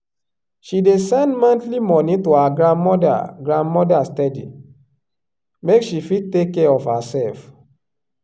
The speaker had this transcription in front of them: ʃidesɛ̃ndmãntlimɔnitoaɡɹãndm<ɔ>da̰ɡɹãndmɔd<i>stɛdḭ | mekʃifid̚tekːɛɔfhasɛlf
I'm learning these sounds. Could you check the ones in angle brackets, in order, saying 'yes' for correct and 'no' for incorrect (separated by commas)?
yes, no